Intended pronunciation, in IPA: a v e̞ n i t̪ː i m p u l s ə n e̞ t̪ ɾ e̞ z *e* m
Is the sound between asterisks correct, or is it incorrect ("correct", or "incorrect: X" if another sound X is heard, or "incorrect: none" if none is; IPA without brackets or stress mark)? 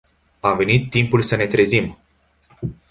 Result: incorrect: i